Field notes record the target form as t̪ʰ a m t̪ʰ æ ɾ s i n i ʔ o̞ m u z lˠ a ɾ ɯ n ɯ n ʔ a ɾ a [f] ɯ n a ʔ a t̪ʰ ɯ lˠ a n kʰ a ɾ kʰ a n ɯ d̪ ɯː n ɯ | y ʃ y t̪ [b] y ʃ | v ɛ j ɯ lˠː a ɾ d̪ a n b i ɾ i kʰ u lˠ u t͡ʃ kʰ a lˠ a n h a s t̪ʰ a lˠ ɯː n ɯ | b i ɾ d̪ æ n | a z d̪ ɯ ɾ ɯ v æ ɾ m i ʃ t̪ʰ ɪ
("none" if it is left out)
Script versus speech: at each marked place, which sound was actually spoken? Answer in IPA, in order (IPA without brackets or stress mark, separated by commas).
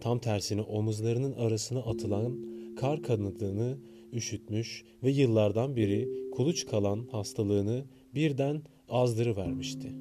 s, m